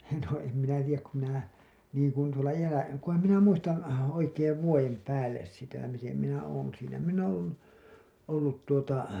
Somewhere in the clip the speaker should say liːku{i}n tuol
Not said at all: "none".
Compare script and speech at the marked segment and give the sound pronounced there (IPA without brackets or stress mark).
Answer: i